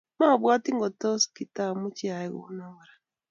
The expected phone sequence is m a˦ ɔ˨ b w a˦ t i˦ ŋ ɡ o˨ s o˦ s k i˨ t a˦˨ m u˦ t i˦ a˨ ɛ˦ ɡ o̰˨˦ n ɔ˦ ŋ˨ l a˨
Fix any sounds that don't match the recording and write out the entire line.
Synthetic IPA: m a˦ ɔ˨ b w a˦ t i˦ ŋ ɡ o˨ t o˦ s k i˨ t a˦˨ m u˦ t͡ʃ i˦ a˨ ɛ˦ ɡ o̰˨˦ n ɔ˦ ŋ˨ ɾ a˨